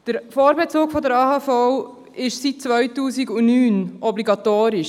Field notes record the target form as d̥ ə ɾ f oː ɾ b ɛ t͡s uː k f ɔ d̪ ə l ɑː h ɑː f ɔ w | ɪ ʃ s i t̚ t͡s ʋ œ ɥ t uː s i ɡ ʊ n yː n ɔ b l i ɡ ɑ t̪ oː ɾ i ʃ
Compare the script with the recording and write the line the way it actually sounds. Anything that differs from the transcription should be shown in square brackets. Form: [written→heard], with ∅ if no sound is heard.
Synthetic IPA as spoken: d̥ ə ɾ f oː ɾ b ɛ t͡s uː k f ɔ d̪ ə [l→ɾ] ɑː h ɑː f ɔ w | ɪ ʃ s i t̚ t͡s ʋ œ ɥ t uː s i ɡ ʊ n yː n ɔ b l i ɡ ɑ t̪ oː ɾ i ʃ